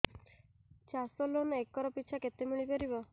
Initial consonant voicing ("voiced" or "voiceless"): voiceless